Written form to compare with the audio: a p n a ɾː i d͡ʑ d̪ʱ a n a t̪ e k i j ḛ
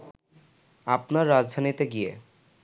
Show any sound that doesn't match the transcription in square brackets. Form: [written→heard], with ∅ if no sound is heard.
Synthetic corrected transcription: a p n a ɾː [i→a] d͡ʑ d̪ʱ a n [a→i] t̪ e [k→ɡ] i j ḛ